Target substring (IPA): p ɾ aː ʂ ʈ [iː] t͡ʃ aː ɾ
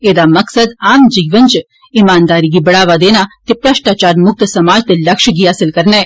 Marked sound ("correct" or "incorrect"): incorrect